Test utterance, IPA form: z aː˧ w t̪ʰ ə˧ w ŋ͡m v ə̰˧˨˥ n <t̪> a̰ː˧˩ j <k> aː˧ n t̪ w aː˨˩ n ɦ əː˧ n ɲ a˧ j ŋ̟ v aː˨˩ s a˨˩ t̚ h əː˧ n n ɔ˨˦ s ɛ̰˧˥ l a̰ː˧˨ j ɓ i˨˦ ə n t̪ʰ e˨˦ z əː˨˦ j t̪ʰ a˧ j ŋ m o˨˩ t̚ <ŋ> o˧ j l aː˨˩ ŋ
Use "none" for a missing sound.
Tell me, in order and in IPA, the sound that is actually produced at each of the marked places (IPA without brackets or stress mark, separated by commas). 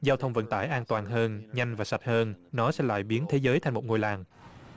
t̪, ʔ, ŋ